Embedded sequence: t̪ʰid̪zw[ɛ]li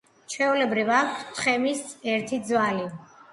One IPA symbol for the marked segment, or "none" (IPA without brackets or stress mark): a